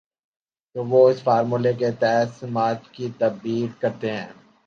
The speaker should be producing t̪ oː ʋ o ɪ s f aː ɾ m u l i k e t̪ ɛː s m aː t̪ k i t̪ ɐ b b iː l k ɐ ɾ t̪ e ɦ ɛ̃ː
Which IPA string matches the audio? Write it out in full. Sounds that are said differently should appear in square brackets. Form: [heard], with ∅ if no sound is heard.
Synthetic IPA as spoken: t̪ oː ʋ o ɪ s f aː ɾ m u l [e] k e t̪ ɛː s m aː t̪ k i t̪ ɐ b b iː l k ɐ ɾ t̪ e ɦ ɛ̃ː